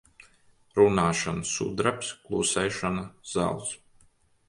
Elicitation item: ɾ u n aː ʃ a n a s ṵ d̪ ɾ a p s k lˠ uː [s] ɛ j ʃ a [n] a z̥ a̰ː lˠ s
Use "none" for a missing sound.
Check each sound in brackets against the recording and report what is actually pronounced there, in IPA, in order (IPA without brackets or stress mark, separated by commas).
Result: s, n